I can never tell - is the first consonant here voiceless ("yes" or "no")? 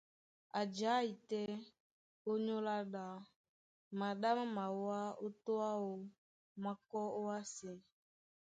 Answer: no